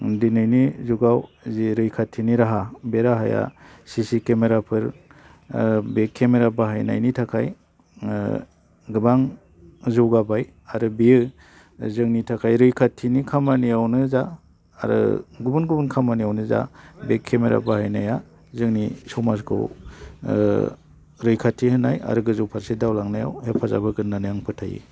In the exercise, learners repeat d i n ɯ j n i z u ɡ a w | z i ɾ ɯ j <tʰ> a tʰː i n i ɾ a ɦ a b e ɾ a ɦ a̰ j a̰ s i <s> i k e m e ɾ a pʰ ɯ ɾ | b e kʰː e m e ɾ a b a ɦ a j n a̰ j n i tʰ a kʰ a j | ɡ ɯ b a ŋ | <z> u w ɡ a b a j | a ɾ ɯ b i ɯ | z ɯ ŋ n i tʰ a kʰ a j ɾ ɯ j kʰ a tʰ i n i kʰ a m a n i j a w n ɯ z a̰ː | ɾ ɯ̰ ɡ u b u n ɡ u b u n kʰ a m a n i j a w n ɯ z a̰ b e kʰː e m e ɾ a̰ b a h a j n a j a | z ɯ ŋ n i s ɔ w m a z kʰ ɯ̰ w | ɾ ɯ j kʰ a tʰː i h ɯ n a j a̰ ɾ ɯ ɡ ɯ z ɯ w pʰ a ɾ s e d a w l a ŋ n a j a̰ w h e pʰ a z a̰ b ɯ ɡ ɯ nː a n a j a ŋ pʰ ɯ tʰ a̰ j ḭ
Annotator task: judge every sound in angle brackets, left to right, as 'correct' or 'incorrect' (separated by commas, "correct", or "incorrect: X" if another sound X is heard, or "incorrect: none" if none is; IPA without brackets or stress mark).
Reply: incorrect: kʰ, correct, correct